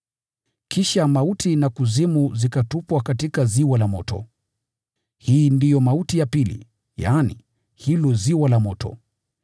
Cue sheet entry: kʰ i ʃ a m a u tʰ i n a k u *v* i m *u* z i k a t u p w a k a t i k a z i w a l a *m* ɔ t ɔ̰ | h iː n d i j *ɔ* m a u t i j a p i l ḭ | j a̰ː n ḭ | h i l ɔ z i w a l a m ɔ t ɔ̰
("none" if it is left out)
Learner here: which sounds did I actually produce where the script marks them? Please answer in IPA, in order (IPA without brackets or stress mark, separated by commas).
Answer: z, u, m, ɔ